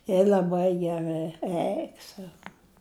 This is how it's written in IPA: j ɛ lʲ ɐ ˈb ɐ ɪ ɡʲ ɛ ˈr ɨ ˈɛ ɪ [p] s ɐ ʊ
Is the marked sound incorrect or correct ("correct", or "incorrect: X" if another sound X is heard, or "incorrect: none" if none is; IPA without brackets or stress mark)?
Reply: incorrect: k